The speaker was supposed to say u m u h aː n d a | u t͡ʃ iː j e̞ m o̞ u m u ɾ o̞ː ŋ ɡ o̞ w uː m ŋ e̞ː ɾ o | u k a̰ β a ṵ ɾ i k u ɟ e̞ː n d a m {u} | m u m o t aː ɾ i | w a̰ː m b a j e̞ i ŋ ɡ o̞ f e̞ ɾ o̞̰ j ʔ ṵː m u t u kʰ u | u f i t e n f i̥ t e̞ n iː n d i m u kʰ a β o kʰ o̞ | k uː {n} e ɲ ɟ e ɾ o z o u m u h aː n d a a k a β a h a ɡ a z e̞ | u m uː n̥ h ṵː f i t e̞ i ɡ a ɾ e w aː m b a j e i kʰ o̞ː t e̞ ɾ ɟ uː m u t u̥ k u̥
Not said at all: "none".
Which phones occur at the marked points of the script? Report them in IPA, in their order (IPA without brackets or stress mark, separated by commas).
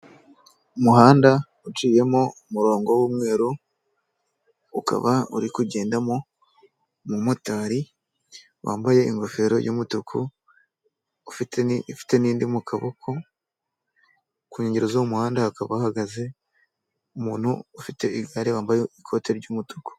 o, ɲ